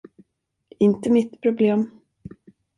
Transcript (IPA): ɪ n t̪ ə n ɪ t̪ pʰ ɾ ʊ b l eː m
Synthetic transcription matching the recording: ɪ n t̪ ə m ɪ t̪ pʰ ɾ ʊ b l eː m